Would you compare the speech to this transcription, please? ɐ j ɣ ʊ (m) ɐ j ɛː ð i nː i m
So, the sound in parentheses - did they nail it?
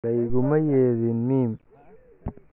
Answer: yes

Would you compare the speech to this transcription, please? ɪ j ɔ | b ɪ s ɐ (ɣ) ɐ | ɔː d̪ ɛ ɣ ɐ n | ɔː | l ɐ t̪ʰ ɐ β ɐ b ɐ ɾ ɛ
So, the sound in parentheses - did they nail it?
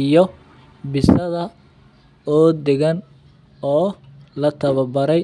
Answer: no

